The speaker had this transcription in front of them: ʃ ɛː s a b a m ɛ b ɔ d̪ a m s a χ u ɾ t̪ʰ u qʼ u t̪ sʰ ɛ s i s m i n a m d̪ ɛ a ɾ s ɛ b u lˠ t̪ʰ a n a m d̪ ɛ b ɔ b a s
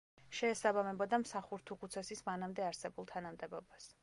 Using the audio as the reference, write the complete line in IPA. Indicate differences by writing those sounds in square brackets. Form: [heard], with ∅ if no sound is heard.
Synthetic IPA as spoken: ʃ ɛː s a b a m ɛ b ɔ d̪ a m s a χ u ɾ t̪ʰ u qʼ u t̪ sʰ ɛ s i s m [a] n a m d̪ ɛ a ɾ s ɛ b u lˠ t̪ʰ a n a m d̪ ɛ b ɔ b a s